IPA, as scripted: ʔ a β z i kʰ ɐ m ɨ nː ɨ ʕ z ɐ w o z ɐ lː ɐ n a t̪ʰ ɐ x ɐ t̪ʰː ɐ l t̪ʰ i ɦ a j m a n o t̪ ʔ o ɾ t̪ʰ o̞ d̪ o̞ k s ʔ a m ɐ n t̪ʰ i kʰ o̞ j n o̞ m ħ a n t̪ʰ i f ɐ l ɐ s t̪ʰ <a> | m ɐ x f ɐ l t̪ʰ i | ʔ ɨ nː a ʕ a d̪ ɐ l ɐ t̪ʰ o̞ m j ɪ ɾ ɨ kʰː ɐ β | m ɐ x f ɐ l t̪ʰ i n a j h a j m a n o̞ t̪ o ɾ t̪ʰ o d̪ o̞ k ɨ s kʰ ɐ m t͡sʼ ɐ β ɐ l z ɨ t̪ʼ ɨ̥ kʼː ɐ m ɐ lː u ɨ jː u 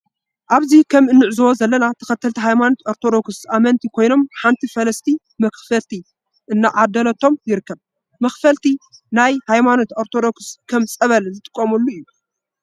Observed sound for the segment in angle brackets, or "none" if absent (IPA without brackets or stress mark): i